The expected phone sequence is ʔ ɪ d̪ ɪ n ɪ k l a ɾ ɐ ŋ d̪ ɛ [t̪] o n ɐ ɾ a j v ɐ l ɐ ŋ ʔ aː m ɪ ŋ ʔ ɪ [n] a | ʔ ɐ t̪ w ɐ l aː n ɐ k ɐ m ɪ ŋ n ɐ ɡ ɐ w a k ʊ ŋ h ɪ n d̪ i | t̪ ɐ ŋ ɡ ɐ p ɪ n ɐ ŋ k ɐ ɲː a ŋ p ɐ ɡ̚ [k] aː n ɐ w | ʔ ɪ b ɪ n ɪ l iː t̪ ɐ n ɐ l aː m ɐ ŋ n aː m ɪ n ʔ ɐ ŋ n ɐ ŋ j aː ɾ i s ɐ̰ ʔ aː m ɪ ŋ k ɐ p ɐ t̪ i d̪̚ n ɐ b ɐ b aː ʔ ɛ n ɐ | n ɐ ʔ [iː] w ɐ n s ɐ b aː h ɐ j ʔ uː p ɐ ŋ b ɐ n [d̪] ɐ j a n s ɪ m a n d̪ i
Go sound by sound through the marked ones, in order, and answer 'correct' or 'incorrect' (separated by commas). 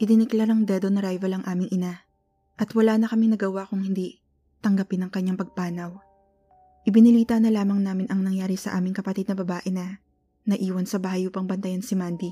incorrect, correct, incorrect, correct, incorrect